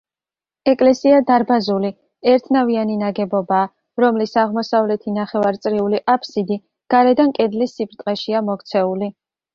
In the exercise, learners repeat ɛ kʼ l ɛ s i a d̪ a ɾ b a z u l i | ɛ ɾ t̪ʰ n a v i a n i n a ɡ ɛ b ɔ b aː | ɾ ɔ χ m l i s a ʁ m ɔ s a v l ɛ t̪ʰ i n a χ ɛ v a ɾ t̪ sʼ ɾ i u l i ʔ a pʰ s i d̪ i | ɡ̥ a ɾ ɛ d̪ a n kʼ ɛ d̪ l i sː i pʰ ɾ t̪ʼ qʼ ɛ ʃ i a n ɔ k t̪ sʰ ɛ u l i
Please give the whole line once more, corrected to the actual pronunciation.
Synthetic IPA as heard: ɛ kʼ l ɛ s i a d̪ a ɾ b a z u l i | ɛ ɾ t̪ʰ n a v i a n i n a ɡ ɛ b ɔ b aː | ɾ ɔ m l i s a ʁ m ɔ s a v l ɛ t̪ʰ i n a χ ɛ v a ɾ t̪ sʼ ɾ i u l i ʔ a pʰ s i d̪ i | ɡ̥ a ɾ ɛ d̪ a n kʼ ɛ d̪ l i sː i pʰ ɾ t̪ʼ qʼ ɛ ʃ i a m ɔ k t̪ sʰ ɛ u l i